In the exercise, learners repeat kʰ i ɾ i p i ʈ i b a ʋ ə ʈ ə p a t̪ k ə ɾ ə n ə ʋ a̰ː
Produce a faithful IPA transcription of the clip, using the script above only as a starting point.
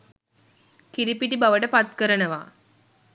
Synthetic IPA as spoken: k i ɾ i p i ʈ i b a ʋ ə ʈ ə p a t̪ k ə ɾ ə n ə ʋ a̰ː